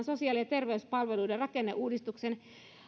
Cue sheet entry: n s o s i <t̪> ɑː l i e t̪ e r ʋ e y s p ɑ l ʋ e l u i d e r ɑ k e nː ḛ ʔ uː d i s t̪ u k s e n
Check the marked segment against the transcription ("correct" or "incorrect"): incorrect